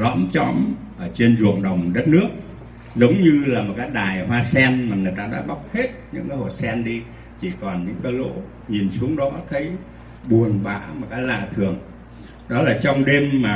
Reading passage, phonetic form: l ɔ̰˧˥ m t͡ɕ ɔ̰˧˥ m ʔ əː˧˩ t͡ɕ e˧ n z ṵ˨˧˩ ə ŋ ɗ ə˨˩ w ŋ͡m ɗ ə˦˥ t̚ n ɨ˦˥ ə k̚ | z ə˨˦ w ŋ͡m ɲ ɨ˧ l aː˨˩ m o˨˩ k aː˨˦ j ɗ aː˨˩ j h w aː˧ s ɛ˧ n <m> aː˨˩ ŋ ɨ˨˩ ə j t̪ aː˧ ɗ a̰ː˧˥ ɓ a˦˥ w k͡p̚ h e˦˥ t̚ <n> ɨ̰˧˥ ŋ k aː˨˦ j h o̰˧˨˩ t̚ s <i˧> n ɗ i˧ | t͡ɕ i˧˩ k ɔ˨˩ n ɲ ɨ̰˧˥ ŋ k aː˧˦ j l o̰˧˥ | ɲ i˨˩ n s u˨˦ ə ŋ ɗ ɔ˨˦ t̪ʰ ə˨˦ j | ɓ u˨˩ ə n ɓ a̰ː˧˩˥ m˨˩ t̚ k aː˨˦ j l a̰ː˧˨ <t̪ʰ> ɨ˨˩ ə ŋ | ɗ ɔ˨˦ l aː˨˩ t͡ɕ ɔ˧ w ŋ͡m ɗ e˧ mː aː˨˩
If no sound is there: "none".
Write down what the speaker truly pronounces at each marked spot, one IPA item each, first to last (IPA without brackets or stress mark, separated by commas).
m, ɲ, ɛ˧, t̪ʰ